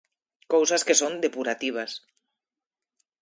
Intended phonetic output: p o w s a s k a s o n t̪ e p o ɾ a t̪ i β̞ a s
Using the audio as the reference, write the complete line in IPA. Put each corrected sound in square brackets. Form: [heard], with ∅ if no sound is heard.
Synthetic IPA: [k] o w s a s k [e] s o n [d̪] e p [u] ɾ a t̪ i β̞ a s

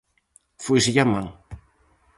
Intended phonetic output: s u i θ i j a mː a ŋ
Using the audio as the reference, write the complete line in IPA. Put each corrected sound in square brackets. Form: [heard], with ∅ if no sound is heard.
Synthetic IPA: [f] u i [s] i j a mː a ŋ

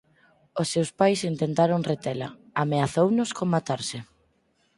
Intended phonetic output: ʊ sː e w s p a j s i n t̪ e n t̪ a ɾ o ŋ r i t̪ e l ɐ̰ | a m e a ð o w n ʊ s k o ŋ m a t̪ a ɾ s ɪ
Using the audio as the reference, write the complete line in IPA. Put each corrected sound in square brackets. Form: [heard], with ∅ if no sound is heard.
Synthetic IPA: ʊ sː e w s p a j s i n t̪ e n t̪ a ɾ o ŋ r [e] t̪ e l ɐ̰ | a m e a [θ] o w n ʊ s k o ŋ m a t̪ a ɾ s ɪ

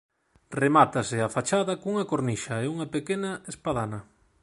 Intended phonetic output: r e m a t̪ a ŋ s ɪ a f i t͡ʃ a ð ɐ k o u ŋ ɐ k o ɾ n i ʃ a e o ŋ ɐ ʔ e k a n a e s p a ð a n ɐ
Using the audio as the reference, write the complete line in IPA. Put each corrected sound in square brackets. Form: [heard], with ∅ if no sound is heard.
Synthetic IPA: r e m a t̪ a [∅] s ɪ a f [a] t͡ʃ a ð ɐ k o u ŋ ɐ k o ɾ n i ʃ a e [u] ŋ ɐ [p] e k [e] n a e s p a ð a n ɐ

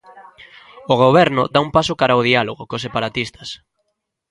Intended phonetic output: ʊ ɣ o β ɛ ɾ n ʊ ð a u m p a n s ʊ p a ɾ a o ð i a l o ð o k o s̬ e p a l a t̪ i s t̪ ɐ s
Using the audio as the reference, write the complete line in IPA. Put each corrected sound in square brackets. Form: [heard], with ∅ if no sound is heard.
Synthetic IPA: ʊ ɣ o β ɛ ɾ n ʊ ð a u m p a [∅] s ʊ [k] a ɾ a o ð i a l o [ɣ] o k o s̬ e p a [ɾ] a t̪ i s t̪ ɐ s

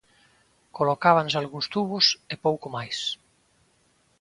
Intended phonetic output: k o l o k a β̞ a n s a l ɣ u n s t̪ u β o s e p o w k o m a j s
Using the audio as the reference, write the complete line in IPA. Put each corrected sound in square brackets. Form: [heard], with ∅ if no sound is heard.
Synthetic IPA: k o l o k a β̞ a n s a l ɣ u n s t̪ u β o s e p o w k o m a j s

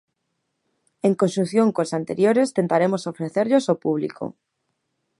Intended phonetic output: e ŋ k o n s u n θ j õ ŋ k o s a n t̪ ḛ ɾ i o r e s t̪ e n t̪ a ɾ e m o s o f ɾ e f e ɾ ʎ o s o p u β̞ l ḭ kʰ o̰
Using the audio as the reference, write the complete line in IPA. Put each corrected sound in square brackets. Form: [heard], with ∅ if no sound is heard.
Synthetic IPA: e ŋ k o n s u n θ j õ ŋ k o s a n t̪ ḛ ɾ [j] o [ɾ] e s t̪ e n t̪ a ɾ e m o s o f ɾ e [θ] e ɾ ʎ o s o p u β̞ l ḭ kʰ o̰

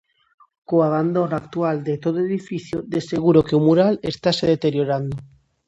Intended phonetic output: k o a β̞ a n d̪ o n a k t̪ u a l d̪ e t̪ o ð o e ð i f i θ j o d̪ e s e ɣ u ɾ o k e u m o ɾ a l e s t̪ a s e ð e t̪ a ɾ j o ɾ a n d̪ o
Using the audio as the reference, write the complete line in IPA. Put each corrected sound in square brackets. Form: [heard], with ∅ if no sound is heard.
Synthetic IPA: k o a β̞ a n d̪ o n a k t̪ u a l d̪ e t̪ o ð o e ð i f i θ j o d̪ e s e ɣ u ɾ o k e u m [u] ɾ a l e s t̪ a s e ð e t̪ [e] ɾ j o ɾ a n d̪ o

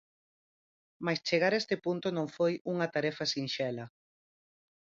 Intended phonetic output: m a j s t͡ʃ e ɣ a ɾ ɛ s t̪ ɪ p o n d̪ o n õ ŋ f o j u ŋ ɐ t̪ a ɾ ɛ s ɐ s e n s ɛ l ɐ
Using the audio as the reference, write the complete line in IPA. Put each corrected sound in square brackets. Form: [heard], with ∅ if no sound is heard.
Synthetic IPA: m a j s t͡ʃ e ɣ a ɾ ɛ s t̪ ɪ p [u] n [t̪] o n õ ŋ f o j u ŋ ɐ t̪ a ɾ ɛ [f] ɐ s [i] n [ʃ] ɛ l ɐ

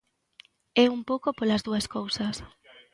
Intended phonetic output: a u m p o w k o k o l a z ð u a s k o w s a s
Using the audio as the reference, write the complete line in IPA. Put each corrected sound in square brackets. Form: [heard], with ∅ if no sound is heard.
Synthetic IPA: [ɛ] u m p o w k o [p] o l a z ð u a s k o w s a s

